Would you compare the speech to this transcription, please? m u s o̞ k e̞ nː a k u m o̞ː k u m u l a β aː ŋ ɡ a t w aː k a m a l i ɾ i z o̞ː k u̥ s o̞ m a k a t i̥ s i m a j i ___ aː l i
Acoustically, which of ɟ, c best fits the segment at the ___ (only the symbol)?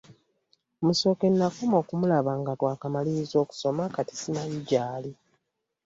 ɟ